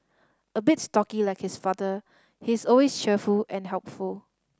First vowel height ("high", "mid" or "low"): mid